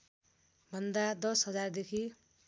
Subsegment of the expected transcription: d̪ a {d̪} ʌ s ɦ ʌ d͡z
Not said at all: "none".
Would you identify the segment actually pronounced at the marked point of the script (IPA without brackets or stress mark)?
d̪